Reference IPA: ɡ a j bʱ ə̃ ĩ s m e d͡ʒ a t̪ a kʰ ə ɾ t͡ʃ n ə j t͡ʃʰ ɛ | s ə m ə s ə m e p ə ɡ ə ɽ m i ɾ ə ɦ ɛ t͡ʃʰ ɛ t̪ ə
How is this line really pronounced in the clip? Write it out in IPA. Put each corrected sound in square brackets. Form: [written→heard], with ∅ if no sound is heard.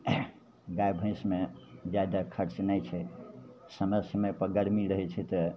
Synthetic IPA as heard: ɡ a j bʱ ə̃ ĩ s m e d͡ʒ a [t̪→d̪] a kʰ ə ɾ t͡ʃ n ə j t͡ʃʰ ɛ | s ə m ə s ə m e p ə ɡ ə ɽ m i ɾ ə ɦ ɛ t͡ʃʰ ɛ t̪ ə